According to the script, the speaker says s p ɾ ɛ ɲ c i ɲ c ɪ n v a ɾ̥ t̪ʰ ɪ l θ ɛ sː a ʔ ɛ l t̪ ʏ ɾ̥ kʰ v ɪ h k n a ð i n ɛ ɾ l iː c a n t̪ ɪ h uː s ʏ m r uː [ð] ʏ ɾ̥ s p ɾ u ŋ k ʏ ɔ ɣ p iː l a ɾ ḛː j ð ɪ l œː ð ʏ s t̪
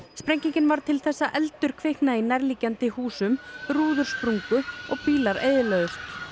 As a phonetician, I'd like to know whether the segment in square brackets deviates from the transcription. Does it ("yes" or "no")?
no